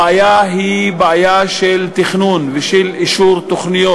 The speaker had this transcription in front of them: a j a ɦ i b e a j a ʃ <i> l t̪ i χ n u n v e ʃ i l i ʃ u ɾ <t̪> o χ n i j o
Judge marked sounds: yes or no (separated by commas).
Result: no, yes